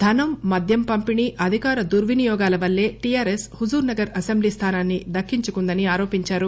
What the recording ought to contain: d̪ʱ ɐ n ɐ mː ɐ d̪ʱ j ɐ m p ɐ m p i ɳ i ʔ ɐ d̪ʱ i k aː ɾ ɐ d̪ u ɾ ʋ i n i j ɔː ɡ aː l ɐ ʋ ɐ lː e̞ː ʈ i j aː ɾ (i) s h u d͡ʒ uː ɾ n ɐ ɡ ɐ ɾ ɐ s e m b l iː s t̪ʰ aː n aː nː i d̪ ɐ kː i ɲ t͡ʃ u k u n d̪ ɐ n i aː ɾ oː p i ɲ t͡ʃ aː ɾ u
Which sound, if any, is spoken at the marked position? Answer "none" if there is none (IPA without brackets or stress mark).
e